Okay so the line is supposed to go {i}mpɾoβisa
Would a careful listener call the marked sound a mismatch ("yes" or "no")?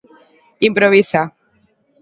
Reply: no